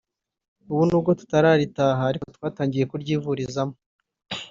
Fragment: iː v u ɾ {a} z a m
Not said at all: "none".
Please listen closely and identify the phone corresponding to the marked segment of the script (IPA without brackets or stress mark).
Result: i